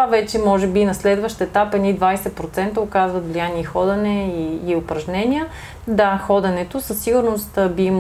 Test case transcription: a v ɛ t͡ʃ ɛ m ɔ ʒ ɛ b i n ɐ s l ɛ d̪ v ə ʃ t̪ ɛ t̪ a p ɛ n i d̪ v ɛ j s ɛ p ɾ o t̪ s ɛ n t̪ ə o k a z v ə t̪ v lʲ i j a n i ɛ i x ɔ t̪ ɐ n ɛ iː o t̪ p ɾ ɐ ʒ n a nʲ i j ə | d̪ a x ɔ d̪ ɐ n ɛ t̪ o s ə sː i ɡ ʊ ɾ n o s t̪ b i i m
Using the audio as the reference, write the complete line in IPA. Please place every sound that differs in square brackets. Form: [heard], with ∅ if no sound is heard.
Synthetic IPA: a v ɛ t͡ʃ ɛ m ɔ ʒ ɛ b i n ɐ s l ɛ d̪ v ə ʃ t̪ ɛ t̪ a p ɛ n i d̪ v [a] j s ɛ p ɾ o t̪ s ɛ n t̪ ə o k a z v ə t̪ v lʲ i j a n i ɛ i x ɔ [d̪] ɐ n ɛ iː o [∅] p ɾ ɐ ʒ n [ɛ] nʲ i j ə | d̪ a x ɔ d̪ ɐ n ɛ t̪ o s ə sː i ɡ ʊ ɾ n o s t̪ b i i m